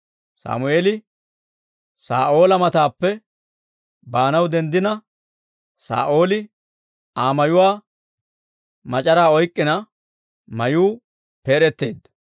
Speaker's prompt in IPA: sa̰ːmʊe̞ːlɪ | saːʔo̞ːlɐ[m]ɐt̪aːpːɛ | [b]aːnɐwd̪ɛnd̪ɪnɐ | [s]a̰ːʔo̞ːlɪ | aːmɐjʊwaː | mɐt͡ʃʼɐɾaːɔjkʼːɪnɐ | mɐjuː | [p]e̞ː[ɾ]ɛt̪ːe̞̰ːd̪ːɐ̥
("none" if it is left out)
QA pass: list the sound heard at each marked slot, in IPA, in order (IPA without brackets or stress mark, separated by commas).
m, b, s, p, ɾ